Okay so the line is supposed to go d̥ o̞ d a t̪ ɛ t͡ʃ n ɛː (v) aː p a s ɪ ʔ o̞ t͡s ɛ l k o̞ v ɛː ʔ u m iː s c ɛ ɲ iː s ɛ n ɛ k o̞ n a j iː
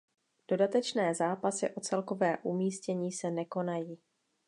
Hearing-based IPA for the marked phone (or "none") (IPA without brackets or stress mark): z